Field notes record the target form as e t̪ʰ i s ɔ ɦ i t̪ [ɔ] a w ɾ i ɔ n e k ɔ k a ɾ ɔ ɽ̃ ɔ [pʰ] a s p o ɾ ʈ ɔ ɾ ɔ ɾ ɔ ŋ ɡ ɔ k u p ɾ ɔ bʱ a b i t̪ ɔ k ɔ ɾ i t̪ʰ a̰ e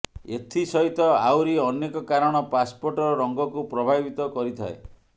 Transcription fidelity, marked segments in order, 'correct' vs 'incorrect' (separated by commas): correct, incorrect